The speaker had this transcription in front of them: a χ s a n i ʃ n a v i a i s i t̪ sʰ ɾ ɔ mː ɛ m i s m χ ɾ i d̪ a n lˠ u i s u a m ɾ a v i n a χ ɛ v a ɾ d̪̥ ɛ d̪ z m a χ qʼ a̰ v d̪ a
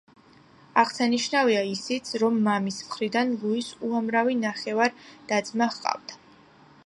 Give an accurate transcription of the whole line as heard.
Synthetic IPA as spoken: a ʁ s a n i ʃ n a v i a i s i t̪ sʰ ɾ ɔ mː a m i s m χ ɾ i d̪ a n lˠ u i s u a m ɾ a v i n a χ ɛ v a ɾ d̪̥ a d̪ z m a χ qʼ a̰ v d̪ a